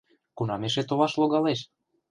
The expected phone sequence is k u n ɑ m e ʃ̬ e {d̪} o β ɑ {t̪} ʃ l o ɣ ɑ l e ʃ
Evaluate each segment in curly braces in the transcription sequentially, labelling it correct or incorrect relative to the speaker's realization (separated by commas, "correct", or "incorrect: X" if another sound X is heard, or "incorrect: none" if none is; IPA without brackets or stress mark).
incorrect: t̪, incorrect: none